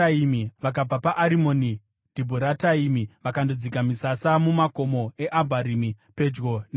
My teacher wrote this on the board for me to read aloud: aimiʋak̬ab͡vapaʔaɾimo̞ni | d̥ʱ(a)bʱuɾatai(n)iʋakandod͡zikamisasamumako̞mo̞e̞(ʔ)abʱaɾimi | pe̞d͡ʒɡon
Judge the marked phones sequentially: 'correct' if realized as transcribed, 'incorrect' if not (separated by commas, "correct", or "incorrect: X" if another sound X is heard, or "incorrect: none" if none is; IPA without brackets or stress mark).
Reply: incorrect: i, incorrect: m, correct